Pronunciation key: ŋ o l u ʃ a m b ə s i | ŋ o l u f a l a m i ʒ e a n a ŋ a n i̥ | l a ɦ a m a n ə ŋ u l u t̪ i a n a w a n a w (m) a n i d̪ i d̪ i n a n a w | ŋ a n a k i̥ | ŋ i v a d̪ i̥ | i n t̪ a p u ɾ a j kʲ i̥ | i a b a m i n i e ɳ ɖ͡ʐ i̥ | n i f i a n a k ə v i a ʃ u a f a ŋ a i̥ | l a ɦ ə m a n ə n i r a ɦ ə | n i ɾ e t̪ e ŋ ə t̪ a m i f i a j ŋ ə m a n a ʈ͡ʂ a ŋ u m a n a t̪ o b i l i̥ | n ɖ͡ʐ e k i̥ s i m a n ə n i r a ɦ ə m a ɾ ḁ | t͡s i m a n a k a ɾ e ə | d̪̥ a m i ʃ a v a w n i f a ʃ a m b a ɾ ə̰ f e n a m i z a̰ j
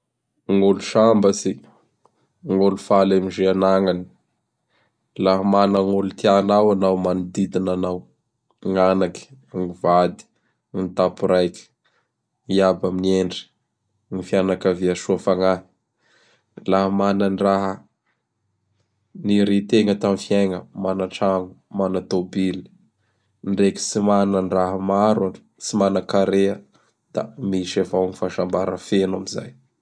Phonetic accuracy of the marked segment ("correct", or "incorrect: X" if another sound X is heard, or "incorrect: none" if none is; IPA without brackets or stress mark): correct